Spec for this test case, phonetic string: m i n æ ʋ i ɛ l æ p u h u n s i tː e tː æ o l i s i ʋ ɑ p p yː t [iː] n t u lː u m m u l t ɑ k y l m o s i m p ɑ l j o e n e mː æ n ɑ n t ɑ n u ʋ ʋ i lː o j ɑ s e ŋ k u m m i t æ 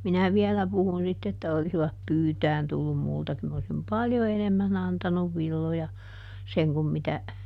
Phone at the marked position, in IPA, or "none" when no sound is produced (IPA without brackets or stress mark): æː